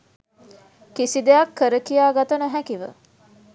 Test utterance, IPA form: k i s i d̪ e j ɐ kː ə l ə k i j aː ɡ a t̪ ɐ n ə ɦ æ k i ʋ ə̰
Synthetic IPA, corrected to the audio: k i s i d̪ e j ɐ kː ə ɾ ə k i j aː ɡ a t̪ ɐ n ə ɦ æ k i ʋ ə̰